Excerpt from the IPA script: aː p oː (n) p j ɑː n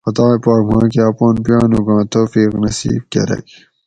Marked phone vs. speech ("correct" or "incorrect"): correct